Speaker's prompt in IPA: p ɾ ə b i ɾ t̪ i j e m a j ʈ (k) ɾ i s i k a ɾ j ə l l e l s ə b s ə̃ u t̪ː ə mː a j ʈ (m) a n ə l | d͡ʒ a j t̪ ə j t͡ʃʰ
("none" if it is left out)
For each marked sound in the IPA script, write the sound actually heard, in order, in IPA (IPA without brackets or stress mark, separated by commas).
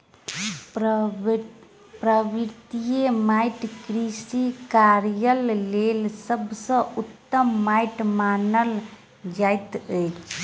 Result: k, m